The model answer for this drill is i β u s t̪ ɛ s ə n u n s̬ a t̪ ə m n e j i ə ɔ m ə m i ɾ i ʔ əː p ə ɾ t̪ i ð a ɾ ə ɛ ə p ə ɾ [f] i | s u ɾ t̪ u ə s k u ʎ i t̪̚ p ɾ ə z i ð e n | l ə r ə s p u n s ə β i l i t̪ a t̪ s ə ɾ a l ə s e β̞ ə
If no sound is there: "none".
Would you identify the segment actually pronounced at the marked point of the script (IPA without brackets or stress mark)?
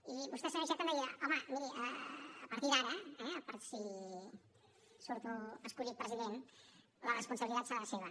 s